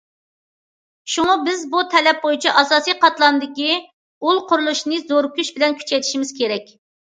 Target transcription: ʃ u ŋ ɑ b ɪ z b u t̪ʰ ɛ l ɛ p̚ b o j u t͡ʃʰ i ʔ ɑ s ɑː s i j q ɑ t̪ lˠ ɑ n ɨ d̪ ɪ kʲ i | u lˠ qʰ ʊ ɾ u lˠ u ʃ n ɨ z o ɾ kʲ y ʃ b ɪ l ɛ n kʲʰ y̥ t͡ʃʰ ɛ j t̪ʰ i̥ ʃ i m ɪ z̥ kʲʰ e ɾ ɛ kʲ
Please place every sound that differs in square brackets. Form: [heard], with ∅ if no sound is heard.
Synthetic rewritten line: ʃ u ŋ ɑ b ɪ z b u t̪ʰ ɛ l ɛ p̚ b o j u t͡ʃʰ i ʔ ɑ s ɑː s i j q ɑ t̪ lˠ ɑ n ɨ d̪ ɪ kʲ i | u lˠ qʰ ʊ ɾ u lˠ u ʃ n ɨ z o ɾ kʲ y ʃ b ɪ l ɛ n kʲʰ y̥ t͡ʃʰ ɛ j t̪ʰ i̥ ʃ i m ɪ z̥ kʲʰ e ɾ ɛ kʲ